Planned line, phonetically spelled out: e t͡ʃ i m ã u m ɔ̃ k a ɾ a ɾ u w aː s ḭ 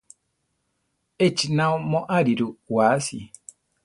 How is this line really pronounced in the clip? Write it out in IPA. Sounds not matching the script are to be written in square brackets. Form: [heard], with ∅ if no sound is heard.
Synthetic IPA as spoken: e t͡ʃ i [n] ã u m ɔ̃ [ʔ] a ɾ [i] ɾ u w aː s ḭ